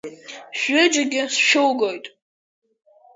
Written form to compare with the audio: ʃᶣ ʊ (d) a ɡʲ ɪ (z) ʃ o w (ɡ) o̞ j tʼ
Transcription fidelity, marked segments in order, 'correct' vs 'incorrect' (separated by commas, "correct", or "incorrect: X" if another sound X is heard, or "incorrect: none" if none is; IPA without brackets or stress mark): incorrect: d͡ʒ, incorrect: s, correct